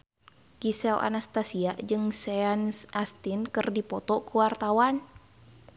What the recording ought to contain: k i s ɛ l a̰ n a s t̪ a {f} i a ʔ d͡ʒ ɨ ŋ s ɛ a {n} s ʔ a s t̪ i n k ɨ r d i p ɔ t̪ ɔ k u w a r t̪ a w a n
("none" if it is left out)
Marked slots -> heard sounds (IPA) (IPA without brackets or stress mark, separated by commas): s, n